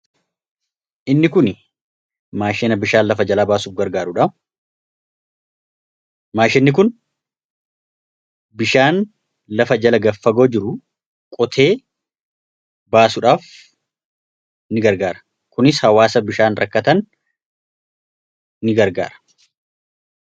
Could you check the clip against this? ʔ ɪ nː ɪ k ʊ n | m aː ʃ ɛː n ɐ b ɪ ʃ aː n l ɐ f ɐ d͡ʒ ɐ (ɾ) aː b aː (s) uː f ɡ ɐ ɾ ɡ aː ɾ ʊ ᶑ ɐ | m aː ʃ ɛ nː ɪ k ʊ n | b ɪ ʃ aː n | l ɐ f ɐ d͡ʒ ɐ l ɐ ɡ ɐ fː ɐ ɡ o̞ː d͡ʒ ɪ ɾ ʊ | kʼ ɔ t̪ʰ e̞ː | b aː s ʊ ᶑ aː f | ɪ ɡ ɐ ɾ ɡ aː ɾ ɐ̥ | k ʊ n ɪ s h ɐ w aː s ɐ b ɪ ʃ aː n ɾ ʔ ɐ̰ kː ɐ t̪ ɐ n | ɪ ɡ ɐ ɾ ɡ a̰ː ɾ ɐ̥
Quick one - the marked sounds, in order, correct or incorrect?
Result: incorrect, correct

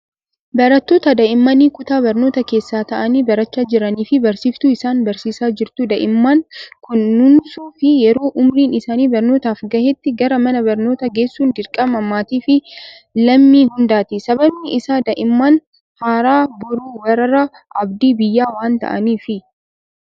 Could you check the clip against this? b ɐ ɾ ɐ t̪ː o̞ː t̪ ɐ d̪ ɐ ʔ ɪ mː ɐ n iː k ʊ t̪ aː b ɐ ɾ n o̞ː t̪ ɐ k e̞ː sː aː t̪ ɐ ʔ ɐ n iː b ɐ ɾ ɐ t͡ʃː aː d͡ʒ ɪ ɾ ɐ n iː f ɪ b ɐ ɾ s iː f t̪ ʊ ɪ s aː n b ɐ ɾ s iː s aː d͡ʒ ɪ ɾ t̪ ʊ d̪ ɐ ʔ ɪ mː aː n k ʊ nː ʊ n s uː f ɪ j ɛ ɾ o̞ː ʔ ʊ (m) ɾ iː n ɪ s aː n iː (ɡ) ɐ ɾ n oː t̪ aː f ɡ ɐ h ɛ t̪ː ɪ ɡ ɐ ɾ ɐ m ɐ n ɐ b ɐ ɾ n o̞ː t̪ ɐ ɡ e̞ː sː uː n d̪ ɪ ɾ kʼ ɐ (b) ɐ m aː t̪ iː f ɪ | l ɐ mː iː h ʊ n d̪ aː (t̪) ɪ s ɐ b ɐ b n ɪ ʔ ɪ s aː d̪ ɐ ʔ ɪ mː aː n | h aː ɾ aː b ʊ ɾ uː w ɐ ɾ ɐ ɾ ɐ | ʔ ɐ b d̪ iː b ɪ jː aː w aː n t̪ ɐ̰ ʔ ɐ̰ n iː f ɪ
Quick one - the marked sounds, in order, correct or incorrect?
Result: correct, incorrect, incorrect, correct

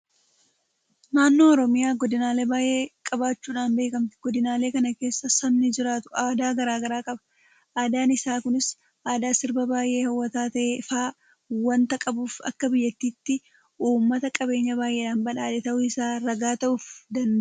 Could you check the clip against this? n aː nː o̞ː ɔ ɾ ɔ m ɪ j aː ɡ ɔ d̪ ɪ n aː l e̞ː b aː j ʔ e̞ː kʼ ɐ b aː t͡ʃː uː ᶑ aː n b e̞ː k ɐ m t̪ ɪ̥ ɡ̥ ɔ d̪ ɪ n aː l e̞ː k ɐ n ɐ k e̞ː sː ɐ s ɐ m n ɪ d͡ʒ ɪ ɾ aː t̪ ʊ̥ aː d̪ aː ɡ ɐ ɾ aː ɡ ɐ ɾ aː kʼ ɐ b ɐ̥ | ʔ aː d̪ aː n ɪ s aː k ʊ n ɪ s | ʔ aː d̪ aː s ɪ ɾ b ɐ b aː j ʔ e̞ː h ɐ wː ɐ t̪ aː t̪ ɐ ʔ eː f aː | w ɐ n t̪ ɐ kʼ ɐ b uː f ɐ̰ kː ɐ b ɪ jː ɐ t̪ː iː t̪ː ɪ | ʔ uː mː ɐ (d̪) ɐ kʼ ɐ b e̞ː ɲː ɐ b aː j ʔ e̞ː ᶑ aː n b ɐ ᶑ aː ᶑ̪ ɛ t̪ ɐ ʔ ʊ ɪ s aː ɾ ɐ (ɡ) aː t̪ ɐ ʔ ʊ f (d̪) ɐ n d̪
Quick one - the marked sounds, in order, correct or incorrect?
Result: incorrect, correct, correct

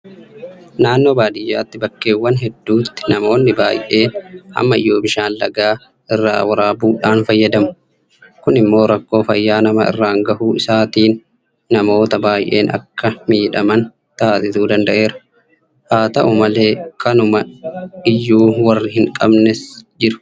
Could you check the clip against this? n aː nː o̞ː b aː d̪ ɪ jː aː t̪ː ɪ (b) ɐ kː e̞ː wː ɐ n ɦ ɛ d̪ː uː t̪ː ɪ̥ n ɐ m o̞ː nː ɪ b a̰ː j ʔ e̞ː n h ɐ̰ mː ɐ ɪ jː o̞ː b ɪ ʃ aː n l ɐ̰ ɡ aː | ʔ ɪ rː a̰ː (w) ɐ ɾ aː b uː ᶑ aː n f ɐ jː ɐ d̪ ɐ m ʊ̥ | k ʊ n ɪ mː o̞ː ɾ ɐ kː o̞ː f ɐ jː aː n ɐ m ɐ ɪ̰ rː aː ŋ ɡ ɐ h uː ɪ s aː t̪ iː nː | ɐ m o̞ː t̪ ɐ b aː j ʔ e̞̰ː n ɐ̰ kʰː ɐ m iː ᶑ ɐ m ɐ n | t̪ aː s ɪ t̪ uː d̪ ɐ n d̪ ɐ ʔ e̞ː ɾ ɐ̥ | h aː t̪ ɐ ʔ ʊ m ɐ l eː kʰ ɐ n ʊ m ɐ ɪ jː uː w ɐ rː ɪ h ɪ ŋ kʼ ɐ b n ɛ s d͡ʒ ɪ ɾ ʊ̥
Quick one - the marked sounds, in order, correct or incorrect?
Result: correct, correct

